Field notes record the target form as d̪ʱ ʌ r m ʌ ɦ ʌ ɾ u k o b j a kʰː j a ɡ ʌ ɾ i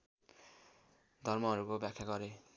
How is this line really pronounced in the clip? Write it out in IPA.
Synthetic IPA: d̪ʱ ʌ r m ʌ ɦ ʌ ɾ u k o b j a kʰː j a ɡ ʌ ɾ e